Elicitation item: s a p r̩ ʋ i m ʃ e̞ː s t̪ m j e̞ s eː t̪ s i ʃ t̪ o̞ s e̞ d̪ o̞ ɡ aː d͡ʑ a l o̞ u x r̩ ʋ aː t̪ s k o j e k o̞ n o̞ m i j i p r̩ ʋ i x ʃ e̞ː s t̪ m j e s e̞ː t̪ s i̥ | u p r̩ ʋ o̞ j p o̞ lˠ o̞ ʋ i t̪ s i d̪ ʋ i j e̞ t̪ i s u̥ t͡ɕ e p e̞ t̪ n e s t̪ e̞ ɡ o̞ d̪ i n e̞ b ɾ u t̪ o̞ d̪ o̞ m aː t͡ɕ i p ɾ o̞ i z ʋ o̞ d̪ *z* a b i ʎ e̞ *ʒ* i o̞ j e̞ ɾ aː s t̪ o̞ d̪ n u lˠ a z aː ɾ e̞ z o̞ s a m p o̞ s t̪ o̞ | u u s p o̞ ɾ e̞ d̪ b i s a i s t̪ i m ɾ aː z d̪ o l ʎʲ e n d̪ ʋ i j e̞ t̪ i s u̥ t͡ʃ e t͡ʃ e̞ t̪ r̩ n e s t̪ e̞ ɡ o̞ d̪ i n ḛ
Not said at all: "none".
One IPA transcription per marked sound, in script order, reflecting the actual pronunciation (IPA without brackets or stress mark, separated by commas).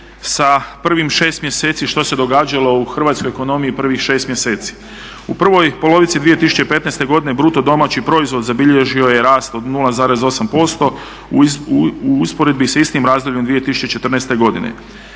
z, ʒ